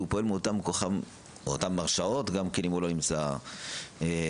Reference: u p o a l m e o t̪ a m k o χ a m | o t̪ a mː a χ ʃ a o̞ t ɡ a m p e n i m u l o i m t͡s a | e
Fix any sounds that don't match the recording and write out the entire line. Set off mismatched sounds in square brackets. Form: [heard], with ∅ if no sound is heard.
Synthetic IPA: u p o [e] l m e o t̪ a m k o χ a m | o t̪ a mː a [ʁ] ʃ a o̞ t ɡ a m [k] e n i m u l o i m t͡s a | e